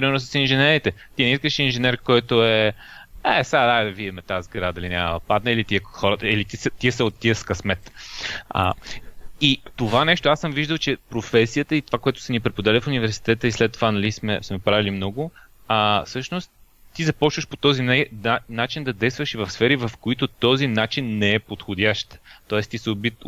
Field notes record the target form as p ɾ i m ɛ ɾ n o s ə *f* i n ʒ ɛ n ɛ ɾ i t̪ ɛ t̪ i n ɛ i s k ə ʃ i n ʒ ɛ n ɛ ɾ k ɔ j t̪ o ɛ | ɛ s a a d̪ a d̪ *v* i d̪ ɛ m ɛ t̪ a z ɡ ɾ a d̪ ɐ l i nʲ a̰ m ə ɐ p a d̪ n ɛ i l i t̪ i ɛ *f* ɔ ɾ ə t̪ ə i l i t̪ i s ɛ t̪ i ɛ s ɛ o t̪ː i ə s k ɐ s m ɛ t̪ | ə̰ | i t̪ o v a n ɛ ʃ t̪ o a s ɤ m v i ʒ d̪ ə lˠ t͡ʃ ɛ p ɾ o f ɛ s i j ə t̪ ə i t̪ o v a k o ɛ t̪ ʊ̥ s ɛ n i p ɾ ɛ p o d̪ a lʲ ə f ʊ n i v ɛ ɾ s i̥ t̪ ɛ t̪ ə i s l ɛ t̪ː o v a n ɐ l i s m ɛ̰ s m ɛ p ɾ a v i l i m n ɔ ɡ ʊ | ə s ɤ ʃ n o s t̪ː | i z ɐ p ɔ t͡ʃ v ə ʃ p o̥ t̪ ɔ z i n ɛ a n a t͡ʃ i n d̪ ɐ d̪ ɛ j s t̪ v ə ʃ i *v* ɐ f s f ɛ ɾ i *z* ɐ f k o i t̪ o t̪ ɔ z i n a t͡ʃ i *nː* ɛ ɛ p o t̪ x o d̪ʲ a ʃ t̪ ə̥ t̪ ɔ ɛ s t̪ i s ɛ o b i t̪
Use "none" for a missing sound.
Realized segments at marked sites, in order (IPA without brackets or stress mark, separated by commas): s, v, x, v, v, nː